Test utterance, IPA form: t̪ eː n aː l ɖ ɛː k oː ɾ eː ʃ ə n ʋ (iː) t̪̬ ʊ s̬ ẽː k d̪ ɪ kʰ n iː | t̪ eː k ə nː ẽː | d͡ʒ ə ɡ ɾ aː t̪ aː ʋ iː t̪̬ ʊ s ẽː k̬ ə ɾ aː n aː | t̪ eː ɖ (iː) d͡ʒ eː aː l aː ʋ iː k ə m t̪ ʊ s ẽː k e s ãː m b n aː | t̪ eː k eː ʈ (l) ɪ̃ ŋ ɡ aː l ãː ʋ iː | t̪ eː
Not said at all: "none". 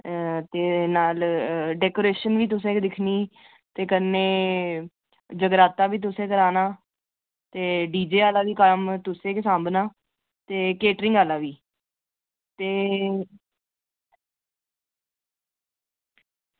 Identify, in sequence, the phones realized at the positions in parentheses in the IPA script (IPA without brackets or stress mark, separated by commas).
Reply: iː, iː, ɾ